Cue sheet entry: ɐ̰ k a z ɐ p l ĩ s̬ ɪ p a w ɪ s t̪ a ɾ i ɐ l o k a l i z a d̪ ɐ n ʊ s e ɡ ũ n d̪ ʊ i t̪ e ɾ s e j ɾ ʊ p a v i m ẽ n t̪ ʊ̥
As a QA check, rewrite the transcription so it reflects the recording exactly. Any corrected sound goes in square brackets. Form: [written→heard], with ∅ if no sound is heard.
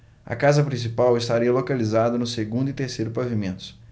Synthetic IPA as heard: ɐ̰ k a z ɐ p [l→ɾ] ĩ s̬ [ɪ→i] p a w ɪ s t̪ a ɾ i ɐ l o k a l i z a d̪ ɐ n ʊ s e ɡ ũ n d̪ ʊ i t̪ e ɾ s e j ɾ ʊ p a v i m ẽ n t̪ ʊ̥